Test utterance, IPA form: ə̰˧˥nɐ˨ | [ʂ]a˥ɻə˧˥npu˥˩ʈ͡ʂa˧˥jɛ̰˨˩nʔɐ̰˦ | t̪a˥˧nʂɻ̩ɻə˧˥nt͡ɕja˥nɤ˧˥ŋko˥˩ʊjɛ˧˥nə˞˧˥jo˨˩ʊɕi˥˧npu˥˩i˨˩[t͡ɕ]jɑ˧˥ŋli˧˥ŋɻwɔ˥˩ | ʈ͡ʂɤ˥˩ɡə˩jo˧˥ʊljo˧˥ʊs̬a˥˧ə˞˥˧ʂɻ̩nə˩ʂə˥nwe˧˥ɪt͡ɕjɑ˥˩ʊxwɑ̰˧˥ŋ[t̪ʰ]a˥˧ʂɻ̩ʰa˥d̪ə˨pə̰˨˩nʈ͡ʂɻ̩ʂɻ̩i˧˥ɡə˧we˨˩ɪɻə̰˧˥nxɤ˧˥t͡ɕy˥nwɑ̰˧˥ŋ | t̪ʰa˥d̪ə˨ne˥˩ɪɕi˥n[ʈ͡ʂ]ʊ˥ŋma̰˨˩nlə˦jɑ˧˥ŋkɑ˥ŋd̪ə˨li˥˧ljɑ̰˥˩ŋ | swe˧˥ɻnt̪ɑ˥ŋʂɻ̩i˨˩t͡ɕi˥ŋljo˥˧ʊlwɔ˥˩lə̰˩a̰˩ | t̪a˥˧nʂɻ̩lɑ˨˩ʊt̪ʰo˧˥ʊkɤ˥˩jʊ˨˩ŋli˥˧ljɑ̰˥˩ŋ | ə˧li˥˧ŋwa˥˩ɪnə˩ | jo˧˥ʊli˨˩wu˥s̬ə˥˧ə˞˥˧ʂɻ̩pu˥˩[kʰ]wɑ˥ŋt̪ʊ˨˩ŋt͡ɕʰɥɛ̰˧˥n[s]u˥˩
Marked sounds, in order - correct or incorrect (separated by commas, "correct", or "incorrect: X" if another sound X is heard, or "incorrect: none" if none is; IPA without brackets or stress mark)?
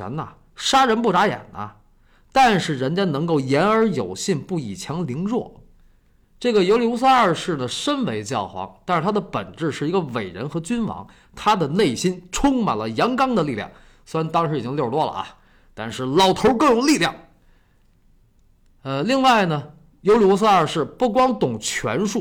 correct, incorrect: t͡ɕʰ, incorrect: t̪, incorrect: ʈ͡ʂʰ, incorrect: k, incorrect: ʂ